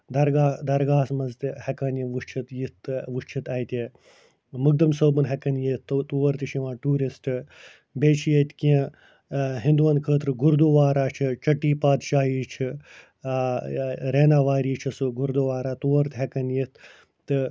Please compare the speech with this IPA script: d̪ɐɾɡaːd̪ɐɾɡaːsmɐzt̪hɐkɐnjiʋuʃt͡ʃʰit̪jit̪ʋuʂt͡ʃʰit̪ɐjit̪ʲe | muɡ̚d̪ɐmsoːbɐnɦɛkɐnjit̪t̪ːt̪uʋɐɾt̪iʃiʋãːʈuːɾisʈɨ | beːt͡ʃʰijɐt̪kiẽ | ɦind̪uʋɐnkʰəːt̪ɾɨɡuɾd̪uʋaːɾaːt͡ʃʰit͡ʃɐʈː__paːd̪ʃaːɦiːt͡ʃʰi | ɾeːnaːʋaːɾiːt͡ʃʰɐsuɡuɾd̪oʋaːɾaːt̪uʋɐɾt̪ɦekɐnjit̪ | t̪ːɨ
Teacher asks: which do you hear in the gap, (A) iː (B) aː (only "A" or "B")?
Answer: A